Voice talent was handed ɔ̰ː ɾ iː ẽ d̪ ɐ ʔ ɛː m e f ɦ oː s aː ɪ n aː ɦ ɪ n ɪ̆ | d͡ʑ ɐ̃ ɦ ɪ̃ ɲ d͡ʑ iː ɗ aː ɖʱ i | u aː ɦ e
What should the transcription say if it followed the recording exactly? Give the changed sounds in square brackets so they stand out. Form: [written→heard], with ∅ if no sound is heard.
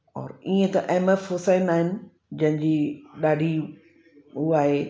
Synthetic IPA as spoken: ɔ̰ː ɾ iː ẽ [d̪→t̪] ɐ ʔ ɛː m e f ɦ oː s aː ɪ n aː ɦ ɪ n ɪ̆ | d͡ʑ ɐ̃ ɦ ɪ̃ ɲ d͡ʑ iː ɗ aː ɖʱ i | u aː ɦ e